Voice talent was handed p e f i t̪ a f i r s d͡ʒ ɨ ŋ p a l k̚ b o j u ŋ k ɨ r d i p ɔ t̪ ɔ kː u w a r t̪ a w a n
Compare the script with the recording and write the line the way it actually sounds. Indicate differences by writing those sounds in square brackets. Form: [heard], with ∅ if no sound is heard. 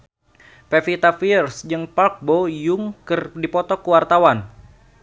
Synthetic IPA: p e f i t̪ a f i r s d͡ʒ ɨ ŋ p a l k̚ b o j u ŋ k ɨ r d i p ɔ t̪ ɔ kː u w a r t̪ a w a n